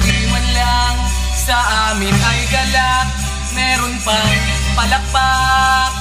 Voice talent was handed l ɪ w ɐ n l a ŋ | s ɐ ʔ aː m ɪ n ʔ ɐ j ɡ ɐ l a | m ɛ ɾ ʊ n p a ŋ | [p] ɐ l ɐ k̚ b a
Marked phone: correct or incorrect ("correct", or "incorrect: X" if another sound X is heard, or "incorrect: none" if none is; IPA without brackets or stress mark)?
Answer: correct